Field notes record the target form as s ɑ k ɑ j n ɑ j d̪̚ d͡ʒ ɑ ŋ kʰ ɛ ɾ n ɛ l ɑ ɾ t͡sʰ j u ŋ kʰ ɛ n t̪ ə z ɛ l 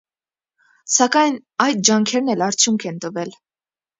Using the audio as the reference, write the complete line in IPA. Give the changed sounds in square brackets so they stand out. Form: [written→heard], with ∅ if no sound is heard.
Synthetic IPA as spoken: s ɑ k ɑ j n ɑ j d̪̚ d͡ʒ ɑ ŋ kʰ ɛ ɾ n ɛ l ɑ ɾ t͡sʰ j u ŋ kʰ ɛ n t̪ ə [z→v] ɛ l